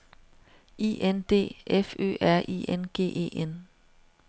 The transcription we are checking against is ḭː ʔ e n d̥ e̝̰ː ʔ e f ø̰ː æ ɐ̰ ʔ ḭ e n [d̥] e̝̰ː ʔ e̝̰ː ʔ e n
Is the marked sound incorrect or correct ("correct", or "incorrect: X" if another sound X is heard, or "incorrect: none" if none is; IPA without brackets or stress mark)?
incorrect: ɡ̥